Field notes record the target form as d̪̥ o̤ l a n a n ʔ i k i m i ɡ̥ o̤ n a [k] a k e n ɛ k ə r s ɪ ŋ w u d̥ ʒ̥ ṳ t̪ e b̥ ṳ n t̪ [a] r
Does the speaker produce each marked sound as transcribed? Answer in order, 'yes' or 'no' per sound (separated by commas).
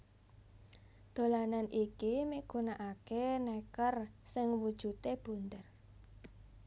no, no